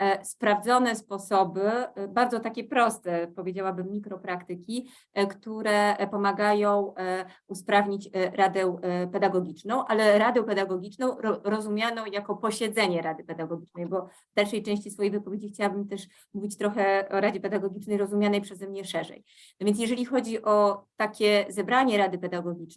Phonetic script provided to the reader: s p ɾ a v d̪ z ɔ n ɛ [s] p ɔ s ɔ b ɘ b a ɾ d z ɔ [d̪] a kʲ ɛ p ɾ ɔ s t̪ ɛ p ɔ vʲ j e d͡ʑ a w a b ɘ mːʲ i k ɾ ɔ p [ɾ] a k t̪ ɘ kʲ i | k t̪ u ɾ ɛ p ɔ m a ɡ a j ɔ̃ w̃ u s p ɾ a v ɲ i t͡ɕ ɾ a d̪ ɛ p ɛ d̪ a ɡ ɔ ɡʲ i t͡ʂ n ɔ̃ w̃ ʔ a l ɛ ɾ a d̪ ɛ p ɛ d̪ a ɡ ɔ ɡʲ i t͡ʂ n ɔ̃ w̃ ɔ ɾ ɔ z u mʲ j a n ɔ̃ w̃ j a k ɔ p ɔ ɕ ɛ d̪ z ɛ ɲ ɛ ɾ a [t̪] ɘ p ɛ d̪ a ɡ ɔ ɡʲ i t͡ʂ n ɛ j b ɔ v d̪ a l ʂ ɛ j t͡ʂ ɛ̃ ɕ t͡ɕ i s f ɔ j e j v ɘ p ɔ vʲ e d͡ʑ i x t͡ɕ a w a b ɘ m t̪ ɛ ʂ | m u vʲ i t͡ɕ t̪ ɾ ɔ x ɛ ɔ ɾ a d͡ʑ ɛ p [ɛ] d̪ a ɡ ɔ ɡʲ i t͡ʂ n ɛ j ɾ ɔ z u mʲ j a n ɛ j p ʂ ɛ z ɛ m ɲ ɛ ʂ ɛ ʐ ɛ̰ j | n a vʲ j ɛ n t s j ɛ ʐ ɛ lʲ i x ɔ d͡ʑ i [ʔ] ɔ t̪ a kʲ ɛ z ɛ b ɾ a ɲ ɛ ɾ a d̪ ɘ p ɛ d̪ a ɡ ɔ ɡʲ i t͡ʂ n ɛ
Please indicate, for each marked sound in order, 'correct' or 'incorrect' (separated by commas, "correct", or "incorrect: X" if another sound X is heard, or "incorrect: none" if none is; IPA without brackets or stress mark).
correct, incorrect: t̪, correct, incorrect: d̪, correct, correct